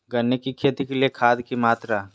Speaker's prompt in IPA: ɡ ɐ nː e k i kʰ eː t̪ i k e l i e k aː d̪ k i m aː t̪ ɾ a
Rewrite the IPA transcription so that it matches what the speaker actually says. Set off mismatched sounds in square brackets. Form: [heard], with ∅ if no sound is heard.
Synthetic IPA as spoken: ɡ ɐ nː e k i kʰ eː t̪ i k e l i e [kʰ] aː d̪ k i m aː t̪ ɾ a